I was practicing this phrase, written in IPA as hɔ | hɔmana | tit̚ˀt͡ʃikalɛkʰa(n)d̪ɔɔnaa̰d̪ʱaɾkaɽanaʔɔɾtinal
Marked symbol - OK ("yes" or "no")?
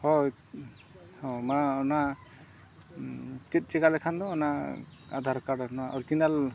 yes